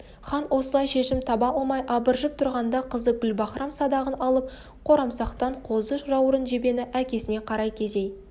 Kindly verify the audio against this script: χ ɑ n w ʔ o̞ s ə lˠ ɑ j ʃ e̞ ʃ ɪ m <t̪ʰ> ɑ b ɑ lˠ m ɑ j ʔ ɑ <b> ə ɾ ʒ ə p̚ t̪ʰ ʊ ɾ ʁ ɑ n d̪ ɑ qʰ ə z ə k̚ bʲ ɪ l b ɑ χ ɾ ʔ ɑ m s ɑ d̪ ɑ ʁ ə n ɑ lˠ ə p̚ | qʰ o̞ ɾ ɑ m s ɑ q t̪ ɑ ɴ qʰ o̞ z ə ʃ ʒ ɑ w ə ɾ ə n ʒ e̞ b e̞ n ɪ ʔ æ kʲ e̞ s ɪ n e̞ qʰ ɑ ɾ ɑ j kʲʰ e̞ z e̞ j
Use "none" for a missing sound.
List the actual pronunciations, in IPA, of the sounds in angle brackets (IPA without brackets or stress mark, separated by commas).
t̪ʰ, b